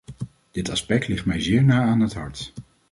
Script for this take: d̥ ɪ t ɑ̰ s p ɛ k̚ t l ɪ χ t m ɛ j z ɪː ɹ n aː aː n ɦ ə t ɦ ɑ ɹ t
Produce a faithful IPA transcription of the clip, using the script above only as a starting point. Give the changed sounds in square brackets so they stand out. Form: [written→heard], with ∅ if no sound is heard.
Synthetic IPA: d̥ ɪ t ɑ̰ s p ɛ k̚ t l ɪ χ t m ɛ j z ɪː ɹ n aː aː n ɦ ə t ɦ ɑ ɹ t